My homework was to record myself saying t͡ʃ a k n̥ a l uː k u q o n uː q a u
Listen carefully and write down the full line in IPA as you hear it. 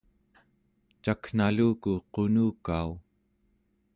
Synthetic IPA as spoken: t͡ʃ a k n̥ a l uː k u q o n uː k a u